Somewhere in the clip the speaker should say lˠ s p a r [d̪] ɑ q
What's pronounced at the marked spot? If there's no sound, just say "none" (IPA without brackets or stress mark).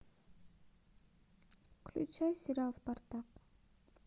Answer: t̪